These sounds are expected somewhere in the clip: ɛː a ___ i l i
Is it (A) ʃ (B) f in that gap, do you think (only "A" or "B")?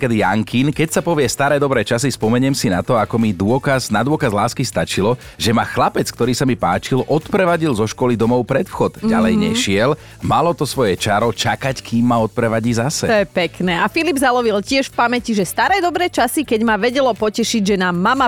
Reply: B